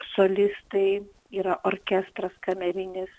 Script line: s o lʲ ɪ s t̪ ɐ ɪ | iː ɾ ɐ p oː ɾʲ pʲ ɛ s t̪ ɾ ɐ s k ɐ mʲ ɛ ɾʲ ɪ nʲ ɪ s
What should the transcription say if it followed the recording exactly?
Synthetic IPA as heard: s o lʲ ɪ s t̪ ɐ ɪ | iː ɾ ɐ ʔ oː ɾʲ kʲ ɛ s t̪ ɾ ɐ s k ɐ mʲ ɛ ɾʲ ɪ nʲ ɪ s